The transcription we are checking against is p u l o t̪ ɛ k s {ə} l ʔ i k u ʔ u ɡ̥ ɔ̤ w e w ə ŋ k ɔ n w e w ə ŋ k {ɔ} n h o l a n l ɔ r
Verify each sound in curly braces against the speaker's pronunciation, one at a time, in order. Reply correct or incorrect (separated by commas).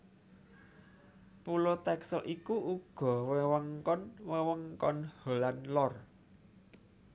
correct, correct